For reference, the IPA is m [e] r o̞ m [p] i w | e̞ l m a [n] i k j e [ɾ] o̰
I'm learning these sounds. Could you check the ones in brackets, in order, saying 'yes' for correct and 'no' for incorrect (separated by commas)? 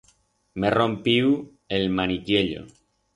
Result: yes, yes, yes, no